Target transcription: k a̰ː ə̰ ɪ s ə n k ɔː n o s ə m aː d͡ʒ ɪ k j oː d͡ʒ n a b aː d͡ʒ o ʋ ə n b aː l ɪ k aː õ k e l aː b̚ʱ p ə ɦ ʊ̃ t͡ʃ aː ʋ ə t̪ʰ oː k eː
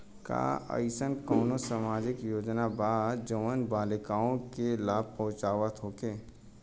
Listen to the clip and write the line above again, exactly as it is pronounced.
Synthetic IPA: k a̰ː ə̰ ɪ s ə n k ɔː n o s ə m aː d͡ʒ ɪ k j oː d͡ʒ n a b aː d͡ʒ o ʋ ə n b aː l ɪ k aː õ k e l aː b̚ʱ p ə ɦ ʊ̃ t͡ʃ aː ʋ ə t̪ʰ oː k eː